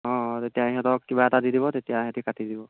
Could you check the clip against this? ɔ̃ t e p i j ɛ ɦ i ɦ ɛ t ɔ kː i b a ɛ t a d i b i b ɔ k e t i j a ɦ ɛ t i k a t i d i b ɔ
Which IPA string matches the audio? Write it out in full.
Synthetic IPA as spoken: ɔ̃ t e t i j a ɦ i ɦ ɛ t ɔ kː i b a ɛ t a d i d i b ɔ t e t i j a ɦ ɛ t i k a t i d i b ɔ